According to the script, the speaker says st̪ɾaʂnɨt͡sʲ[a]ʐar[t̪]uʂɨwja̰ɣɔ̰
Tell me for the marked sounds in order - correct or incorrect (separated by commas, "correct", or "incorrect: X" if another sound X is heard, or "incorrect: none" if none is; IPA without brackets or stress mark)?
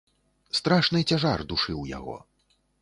correct, incorrect: d̪